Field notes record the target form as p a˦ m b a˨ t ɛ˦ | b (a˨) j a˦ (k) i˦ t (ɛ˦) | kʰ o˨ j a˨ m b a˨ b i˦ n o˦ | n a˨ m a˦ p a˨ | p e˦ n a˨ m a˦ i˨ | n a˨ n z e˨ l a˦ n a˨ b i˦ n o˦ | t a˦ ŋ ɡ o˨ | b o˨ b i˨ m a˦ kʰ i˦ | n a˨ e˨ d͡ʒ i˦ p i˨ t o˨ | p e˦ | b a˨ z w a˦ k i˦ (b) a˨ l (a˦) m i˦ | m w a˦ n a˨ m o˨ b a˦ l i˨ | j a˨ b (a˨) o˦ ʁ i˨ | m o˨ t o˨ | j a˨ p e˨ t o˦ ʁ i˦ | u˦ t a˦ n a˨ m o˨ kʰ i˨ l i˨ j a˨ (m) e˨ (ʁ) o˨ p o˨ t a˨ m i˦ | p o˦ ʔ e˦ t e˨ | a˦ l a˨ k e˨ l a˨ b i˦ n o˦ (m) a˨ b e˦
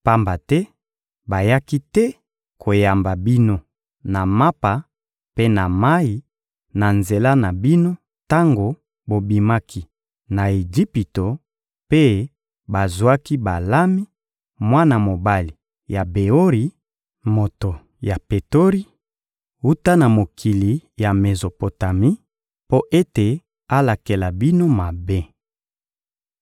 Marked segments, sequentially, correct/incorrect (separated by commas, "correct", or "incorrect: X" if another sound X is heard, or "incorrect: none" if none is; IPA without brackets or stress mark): correct, correct, correct, correct, correct, incorrect: e˨, correct, incorrect: z, correct